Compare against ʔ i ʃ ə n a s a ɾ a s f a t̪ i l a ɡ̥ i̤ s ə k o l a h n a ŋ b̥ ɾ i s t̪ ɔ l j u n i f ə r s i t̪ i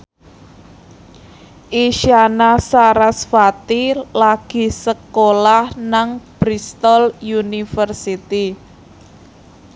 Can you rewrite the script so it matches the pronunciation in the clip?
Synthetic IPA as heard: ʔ i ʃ a n a s a ɾ a s f a t̪ i l a ɡ̥ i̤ s ə k o l a h n a ŋ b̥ ɾ i s t̪ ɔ l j u n i f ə r s i t̪ i